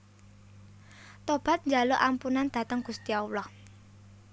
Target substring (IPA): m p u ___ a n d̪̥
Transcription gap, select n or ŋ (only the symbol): n